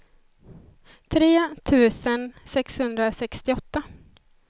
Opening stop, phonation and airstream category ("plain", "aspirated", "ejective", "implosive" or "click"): aspirated